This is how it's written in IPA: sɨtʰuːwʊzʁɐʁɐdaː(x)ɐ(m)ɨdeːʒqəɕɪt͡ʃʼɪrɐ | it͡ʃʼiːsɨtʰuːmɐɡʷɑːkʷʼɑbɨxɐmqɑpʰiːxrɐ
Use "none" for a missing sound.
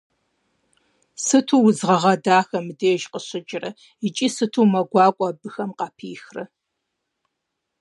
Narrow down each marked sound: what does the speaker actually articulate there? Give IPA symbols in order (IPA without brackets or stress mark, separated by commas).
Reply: x, m